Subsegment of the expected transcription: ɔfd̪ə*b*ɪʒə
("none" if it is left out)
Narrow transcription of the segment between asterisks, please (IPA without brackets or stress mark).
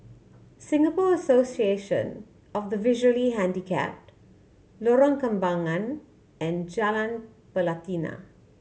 v